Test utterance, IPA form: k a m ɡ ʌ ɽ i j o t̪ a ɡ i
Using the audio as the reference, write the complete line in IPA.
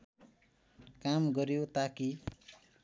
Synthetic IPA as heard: k a m ɡ ʌ ɾ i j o t̪ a k i